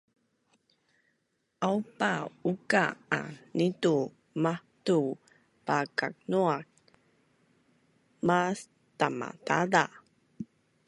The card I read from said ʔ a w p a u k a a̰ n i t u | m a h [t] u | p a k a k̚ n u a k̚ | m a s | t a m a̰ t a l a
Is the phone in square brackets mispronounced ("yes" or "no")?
no